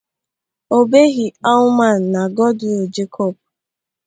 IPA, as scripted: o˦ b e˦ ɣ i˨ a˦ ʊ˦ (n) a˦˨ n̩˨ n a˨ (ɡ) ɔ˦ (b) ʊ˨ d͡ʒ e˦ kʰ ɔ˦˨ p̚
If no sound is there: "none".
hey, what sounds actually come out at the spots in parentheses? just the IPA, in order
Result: m, ɡ, d

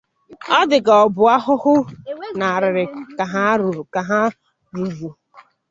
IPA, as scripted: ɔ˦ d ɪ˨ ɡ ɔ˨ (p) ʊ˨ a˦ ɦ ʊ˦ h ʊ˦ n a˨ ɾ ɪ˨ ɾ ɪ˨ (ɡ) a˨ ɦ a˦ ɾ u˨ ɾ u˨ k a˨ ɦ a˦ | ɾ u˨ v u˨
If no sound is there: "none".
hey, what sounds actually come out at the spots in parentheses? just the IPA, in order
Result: b, k

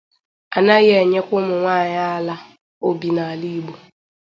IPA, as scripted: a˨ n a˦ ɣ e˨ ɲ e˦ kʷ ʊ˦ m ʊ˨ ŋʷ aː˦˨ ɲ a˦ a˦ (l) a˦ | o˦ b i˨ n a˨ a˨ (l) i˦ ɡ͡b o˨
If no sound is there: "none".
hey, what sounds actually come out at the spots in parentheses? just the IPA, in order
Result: l, l

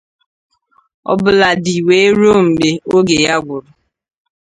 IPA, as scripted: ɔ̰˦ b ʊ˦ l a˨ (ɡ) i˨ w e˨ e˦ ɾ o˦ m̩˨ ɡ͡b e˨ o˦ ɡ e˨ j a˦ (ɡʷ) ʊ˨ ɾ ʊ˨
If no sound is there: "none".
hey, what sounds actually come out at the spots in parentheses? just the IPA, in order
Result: d, ɡʷ

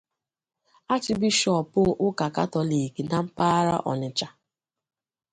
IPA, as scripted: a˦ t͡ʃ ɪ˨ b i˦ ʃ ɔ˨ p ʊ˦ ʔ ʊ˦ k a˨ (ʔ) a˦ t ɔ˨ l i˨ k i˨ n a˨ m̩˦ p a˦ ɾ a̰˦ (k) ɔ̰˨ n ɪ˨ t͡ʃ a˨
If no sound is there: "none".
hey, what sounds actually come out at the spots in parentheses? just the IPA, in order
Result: k, ʔ

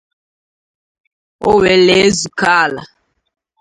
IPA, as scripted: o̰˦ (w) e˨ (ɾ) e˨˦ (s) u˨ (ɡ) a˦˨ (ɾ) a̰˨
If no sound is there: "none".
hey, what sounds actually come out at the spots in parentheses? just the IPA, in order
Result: w, l, z, k, l

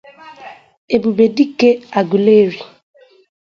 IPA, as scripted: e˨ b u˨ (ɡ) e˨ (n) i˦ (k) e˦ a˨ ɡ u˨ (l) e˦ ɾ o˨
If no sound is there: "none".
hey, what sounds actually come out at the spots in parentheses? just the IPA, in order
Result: b, d, k, l

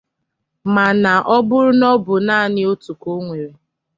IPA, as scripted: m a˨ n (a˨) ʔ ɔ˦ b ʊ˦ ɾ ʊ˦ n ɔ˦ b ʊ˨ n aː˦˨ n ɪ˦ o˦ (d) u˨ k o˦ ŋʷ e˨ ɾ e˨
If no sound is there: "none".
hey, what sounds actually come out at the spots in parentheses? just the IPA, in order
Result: a˨, t

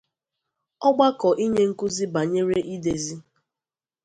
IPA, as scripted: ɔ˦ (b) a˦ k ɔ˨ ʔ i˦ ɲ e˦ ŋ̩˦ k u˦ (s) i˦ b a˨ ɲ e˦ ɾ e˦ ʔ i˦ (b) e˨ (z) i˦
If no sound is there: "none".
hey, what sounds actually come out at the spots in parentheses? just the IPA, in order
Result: ɡ͡b, z, d, z

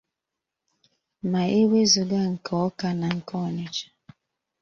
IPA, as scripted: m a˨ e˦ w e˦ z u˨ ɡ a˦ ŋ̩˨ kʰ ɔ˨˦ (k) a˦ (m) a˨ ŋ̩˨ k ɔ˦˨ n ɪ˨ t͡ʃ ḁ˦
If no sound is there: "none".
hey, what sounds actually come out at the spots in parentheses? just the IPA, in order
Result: k, n

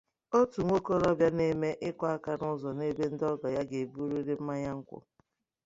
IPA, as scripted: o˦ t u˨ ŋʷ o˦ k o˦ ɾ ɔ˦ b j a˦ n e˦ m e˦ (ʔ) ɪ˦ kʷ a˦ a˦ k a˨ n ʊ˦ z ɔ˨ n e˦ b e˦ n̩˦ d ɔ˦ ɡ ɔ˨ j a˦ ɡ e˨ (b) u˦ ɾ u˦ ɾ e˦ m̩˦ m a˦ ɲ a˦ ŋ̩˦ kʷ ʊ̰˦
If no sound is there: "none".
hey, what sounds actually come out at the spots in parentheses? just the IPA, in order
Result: ʔ, b

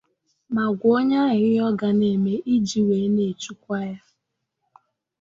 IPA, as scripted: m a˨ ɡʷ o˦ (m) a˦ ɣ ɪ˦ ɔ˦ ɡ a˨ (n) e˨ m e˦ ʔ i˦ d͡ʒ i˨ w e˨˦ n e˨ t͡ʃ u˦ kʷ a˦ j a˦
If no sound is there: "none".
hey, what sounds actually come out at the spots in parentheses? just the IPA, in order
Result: ɲ, n

